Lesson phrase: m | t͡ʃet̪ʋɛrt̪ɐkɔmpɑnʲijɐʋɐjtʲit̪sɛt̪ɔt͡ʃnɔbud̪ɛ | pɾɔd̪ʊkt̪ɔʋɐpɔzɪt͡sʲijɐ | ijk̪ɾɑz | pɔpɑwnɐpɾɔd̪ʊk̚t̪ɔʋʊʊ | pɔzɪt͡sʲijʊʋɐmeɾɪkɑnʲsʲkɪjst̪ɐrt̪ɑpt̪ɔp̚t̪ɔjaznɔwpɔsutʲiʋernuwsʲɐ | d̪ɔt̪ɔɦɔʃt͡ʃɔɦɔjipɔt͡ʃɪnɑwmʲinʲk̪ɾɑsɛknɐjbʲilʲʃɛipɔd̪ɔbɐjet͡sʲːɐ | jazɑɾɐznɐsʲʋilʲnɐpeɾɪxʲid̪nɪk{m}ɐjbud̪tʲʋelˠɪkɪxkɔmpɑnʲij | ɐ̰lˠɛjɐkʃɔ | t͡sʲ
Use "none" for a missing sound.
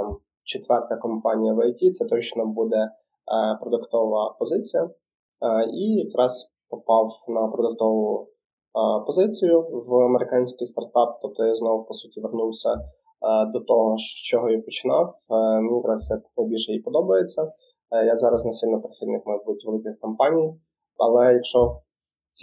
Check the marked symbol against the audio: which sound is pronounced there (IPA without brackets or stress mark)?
m